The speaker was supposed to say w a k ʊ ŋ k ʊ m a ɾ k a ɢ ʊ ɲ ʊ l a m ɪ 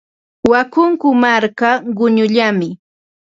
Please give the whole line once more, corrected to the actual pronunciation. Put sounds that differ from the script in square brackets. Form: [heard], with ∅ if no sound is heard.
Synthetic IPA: w a k ʊ ŋ k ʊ m a ɾ k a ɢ ʊ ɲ ʊ [ʎ] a m ɪ